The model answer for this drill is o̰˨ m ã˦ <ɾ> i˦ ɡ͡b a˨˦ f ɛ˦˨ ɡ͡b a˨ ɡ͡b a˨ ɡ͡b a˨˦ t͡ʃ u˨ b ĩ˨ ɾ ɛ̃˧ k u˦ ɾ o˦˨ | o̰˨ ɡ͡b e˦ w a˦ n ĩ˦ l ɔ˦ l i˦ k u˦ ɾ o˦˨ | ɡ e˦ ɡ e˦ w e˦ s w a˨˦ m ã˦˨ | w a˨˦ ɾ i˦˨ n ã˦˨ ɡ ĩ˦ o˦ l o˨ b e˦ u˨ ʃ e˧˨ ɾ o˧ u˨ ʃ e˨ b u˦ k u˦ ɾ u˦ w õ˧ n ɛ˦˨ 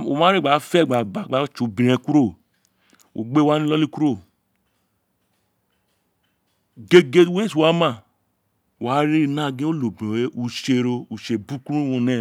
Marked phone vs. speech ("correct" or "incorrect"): correct